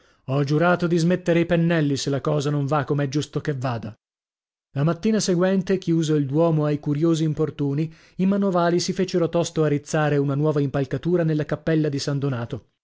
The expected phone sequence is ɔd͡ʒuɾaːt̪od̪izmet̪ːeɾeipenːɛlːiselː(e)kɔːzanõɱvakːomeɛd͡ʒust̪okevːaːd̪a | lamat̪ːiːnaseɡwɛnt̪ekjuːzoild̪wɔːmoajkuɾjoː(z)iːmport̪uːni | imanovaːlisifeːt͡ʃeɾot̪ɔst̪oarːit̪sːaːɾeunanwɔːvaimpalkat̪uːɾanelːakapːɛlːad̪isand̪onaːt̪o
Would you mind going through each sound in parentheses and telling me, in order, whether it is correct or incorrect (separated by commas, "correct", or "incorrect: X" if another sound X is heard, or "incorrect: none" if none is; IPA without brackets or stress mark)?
incorrect: a, correct